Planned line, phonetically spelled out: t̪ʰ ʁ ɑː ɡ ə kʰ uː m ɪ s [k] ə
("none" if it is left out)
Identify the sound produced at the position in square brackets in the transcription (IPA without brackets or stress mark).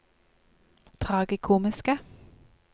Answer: k